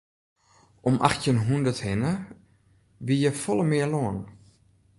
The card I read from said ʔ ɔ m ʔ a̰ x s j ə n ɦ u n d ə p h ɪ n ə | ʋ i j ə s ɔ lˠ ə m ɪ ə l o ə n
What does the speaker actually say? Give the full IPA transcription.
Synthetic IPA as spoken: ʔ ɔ m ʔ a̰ x t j ə n ɦ u n d ə t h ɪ n ə | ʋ i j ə f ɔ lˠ ə m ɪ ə l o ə n